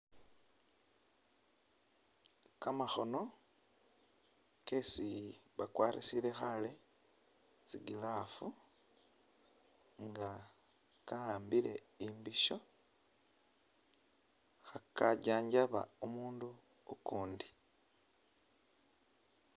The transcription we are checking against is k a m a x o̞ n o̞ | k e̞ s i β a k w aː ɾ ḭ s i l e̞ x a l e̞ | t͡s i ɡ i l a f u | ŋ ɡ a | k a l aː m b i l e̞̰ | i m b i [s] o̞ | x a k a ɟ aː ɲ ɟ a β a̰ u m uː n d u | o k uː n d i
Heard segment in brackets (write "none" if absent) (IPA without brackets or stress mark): ʃ